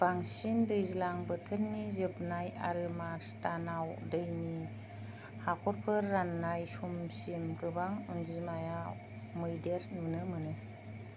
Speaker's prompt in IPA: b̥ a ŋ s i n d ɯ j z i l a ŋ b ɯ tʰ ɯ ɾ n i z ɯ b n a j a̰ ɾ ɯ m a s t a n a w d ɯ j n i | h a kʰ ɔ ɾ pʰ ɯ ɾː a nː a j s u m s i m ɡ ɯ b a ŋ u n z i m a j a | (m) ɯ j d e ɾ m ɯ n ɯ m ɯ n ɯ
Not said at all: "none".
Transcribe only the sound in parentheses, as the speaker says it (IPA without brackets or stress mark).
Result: m